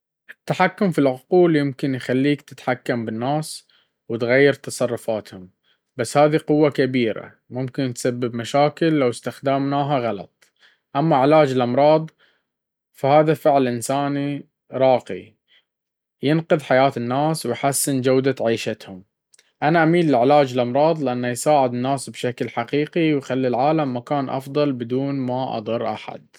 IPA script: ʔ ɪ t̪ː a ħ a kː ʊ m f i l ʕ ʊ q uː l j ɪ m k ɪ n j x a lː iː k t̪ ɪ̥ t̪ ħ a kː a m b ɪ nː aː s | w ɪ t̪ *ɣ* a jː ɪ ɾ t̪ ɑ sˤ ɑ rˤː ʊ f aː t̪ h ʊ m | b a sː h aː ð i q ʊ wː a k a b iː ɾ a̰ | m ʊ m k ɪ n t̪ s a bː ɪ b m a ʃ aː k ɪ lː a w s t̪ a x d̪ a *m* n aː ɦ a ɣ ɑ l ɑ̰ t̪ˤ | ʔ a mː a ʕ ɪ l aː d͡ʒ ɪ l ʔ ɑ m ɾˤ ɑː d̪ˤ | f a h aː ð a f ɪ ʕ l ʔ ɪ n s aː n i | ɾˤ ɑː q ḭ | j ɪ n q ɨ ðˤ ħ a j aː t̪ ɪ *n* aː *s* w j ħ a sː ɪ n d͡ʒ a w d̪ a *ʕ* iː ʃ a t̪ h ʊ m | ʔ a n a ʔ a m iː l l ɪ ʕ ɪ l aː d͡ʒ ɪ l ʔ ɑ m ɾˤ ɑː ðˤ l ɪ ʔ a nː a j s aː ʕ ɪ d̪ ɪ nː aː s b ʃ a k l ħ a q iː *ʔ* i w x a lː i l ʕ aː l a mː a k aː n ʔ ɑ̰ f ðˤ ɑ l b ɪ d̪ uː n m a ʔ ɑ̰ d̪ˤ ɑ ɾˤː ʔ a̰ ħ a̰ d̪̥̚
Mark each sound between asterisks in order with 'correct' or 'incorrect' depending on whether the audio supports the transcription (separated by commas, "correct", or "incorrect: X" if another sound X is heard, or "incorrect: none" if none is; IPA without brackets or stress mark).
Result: correct, correct, incorrect: nː, correct, correct, incorrect: q